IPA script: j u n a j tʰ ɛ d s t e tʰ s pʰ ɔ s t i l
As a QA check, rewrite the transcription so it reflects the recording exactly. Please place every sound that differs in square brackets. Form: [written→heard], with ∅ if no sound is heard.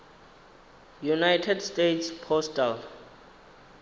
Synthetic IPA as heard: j u n a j tʰ ɛ d s t e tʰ s pʰ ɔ s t [i→a] l

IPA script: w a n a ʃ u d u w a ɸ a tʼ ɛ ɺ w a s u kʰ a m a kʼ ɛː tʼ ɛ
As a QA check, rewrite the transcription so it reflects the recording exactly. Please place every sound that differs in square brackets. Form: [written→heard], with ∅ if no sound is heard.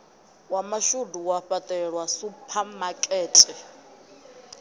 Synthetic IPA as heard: w a [n→m] a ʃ u d u w a ɸ a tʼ ɛ ɺ w a s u [kʰ→pʰ] a m a kʼ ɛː tʼ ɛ

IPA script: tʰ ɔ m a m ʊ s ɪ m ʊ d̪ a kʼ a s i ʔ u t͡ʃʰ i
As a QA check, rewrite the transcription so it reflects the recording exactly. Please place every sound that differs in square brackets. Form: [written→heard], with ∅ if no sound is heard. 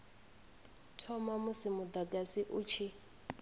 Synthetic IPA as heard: tʰ ɔ m a m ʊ s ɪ m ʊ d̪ a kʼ a s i ʔ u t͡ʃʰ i

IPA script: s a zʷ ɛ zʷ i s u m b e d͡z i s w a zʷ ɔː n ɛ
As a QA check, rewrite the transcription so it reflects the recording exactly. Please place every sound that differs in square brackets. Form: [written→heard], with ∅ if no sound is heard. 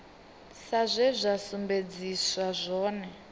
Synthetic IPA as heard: s a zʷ ɛ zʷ [i→a] s u m b e d͡z i s w a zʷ ɔː n ɛ

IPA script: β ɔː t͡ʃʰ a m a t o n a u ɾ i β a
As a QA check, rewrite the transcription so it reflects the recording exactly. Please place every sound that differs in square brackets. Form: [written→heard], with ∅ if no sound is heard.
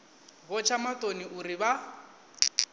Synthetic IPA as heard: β [ɔː→ɔ] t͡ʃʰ a m a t o n [a→i] u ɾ i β a

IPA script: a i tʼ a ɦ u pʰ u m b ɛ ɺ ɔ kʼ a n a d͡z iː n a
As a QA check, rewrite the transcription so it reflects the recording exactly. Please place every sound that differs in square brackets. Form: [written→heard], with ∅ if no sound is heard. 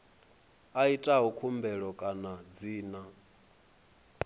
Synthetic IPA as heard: a i tʼ a ɦ u [pʰ→kʰ] u m b ɛ ɺ ɔ kʼ a n a d͡z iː n a

